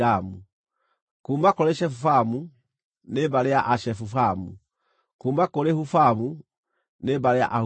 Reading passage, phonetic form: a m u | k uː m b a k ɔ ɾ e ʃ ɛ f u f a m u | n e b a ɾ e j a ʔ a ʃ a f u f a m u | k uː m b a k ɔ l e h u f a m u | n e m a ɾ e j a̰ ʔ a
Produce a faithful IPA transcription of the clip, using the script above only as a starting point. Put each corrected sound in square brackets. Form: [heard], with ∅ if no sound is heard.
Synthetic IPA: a m u | k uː m b a k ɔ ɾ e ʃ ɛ f u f a m u | n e b a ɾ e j a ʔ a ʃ [ɛ] f u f a m u | k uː m b a k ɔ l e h u f a m u | n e [b] a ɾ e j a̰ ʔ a